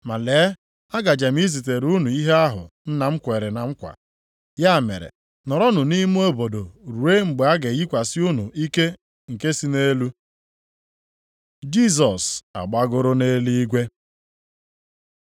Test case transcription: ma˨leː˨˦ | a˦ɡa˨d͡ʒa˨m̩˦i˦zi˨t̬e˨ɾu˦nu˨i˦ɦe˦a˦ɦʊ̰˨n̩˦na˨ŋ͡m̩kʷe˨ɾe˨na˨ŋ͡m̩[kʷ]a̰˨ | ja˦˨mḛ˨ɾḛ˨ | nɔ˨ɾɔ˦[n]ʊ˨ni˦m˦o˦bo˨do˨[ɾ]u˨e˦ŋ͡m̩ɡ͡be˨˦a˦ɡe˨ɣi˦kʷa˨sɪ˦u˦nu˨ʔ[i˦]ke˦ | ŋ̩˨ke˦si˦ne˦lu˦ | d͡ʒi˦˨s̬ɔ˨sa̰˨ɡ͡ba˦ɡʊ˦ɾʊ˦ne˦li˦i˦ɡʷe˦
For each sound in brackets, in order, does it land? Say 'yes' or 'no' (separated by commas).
yes, yes, yes, yes